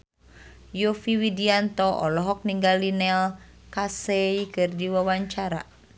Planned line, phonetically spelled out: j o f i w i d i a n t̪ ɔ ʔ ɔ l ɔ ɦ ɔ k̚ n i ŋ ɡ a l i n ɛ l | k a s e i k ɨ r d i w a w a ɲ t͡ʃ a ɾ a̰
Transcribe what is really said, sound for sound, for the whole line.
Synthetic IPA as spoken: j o f i w i d i a n t̪ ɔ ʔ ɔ l ɔ ɦ ɔ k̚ n i ŋ ɡ a l i n ɛ l | k a s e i k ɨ r d i w a w a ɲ t͡ʃ a ɾ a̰